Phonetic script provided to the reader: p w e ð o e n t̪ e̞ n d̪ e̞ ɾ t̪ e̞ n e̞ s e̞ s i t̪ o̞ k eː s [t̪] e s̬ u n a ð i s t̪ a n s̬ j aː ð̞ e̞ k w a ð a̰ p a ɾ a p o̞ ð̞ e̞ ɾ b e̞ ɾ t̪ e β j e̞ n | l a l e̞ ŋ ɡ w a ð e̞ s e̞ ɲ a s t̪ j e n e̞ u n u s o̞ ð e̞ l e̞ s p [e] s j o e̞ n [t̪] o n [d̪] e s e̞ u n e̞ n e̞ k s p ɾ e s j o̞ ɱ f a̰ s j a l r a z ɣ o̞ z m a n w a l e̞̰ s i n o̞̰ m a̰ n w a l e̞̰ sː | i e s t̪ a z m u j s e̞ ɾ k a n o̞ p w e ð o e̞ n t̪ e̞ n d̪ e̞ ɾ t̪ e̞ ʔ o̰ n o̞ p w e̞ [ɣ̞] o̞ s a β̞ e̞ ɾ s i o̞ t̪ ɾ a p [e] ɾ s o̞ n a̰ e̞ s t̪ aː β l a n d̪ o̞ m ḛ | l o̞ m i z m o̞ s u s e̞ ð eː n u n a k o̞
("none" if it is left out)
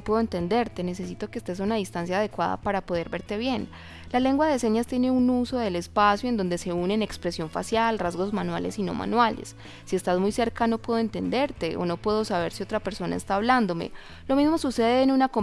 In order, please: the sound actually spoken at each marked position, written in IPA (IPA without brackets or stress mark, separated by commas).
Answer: t̪, a, d̪, d̪, ð̞, e